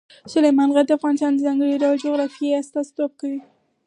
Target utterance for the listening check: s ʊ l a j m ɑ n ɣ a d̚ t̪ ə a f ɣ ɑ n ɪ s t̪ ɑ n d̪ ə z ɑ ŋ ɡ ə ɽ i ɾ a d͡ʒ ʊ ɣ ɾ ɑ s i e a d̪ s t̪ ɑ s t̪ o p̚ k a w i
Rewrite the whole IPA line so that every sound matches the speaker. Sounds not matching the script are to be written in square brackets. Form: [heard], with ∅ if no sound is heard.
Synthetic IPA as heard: s ʊ l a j m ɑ n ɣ a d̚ [d̪] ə a f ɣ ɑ n ɪ s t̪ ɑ n d̪ ə z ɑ ŋ ɡ ə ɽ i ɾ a d͡ʒ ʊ ɣ ɾ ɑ [f] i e a [∅] s t̪ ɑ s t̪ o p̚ k a w i